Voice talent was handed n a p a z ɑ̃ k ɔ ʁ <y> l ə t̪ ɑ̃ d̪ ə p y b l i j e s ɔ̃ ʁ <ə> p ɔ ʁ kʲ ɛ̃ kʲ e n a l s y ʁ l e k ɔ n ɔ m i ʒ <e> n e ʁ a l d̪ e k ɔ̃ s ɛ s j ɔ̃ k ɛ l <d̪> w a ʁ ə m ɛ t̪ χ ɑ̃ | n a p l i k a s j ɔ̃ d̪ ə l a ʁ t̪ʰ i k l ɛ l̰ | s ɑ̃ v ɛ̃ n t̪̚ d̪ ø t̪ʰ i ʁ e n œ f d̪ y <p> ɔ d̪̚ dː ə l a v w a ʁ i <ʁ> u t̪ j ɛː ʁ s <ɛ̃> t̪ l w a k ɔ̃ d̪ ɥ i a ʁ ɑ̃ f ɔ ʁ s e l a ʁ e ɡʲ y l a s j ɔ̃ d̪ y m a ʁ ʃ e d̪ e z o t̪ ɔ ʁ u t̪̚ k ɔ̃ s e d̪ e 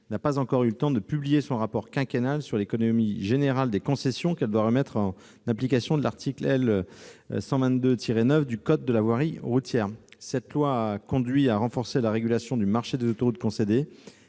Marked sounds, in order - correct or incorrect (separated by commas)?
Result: correct, incorrect, correct, correct, incorrect, correct, incorrect